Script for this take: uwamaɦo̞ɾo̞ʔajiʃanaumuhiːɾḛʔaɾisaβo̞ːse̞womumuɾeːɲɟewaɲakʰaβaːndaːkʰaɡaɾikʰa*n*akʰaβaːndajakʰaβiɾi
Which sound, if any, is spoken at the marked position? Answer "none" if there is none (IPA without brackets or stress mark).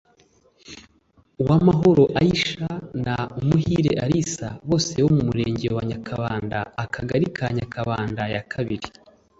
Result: ɲ